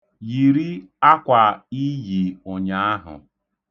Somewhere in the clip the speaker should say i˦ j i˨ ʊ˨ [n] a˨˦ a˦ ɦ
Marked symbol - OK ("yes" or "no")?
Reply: no